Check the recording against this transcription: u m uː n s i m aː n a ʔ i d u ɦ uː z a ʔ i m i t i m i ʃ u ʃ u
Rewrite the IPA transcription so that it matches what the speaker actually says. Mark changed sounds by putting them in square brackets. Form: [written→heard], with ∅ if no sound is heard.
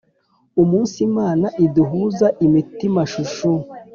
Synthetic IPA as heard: u m uː n s i m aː n a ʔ i d u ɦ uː z a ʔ i m i t i m [i→a] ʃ u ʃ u